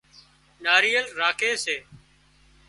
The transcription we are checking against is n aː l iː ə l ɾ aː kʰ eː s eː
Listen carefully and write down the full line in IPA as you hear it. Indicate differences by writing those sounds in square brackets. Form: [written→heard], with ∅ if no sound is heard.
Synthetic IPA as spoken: n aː [l→ɾ] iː ə l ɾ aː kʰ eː s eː